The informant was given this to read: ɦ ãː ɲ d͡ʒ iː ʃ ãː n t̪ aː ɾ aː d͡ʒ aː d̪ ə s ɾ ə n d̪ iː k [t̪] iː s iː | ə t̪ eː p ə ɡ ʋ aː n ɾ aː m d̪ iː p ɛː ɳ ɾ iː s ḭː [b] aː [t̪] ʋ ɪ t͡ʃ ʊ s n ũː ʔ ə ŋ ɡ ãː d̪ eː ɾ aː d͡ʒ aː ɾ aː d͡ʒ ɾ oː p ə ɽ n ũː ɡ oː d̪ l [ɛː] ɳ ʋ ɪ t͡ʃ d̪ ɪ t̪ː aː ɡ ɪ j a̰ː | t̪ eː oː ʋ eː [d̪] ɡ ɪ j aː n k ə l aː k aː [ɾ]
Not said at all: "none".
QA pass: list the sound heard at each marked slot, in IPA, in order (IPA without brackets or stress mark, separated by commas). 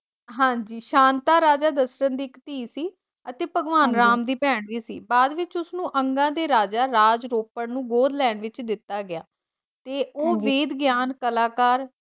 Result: t̪, b, d̪, ɛː, d̪, ɾ